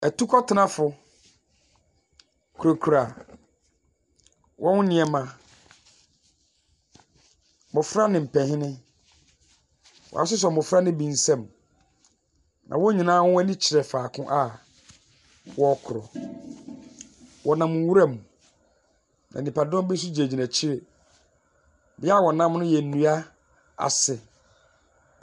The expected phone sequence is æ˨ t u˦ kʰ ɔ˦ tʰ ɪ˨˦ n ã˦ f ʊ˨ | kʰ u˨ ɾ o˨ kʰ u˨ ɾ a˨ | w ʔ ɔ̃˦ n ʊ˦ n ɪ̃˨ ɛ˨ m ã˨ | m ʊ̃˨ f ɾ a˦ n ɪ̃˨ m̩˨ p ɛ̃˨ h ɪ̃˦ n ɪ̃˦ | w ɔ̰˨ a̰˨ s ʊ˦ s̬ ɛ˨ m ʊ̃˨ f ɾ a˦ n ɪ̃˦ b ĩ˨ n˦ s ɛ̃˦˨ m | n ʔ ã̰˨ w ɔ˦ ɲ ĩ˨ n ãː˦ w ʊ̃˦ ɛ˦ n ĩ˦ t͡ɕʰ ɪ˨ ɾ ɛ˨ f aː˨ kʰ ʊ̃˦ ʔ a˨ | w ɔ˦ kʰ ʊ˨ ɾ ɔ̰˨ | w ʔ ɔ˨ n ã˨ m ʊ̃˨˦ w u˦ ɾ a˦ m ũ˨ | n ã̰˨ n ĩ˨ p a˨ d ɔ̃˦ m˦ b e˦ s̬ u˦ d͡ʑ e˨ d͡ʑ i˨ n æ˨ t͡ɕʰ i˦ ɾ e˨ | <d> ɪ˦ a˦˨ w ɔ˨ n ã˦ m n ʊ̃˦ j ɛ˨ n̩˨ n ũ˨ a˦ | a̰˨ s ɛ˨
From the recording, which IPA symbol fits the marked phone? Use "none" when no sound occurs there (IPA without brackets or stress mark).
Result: b